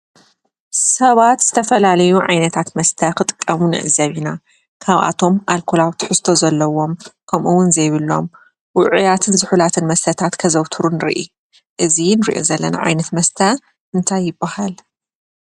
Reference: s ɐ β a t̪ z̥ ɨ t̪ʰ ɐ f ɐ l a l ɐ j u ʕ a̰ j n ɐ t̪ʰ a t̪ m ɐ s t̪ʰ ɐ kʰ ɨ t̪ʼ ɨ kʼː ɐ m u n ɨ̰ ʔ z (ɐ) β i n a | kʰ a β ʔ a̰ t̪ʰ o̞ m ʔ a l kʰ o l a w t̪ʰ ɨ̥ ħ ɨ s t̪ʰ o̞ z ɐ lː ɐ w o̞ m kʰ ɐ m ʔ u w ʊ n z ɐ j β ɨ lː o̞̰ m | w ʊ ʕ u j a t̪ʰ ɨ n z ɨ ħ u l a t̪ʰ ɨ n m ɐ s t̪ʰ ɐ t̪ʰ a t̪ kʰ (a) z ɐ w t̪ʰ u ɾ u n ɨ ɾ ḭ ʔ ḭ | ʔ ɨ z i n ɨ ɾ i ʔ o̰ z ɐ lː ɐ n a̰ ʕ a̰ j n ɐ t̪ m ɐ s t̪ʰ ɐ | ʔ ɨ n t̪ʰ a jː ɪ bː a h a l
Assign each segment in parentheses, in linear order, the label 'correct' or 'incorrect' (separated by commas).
correct, incorrect